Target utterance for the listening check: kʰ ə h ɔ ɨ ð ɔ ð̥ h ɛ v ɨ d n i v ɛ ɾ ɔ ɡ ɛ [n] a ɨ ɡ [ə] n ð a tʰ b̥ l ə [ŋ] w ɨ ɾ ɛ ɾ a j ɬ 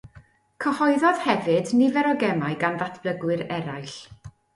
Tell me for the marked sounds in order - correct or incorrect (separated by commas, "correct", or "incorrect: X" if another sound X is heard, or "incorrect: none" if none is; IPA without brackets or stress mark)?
incorrect: m, incorrect: a, incorrect: ɡ